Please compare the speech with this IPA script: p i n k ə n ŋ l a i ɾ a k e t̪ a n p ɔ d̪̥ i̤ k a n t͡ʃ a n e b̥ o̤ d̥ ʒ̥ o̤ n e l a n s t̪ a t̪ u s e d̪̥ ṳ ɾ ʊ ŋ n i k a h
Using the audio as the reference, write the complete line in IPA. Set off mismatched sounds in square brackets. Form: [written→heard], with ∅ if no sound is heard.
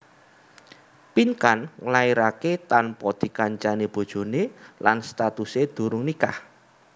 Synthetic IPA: p i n k [ə→a] n ŋ l a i ɾ a k e t̪ a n p ɔ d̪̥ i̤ k a [n→ɲ] t͡ʃ a n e b̥ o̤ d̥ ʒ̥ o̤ n e l a n s t̪ a t̪ u s e d̪̥ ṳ ɾ ʊ ŋ n i k a h